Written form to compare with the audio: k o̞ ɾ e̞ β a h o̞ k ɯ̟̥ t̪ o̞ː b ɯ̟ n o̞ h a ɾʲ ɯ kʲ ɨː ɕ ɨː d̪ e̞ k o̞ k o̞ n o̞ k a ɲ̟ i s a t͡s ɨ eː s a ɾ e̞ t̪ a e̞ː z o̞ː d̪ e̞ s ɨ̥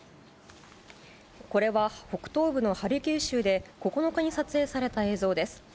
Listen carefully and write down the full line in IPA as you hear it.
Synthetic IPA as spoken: k o̞ ɾ e̞ β a h o̞ k ɯ̟̥ t̪ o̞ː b ɯ̟ n o̞ h a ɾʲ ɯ kʲ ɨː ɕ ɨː d̪ e̞ k o̞ k o̞ n o̞ k a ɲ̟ i s a t͡s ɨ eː s a ɾ e̞ t̪ a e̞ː z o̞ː d̪ e̞ s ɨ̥